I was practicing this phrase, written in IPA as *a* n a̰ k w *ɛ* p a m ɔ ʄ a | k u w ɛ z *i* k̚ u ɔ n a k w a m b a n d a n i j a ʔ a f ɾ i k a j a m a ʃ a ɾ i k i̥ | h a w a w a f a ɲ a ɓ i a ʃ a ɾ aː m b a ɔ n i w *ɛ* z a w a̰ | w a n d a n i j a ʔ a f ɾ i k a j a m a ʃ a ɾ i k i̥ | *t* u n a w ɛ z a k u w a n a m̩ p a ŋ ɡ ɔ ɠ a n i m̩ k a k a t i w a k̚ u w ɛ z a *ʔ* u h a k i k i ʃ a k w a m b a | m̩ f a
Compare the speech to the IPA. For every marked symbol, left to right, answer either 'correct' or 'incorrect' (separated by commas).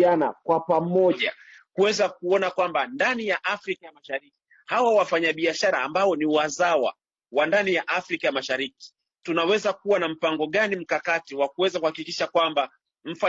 correct, incorrect, incorrect, incorrect, correct, incorrect